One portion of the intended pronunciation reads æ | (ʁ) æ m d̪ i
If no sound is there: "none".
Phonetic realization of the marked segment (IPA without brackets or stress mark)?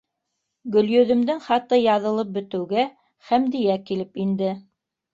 χ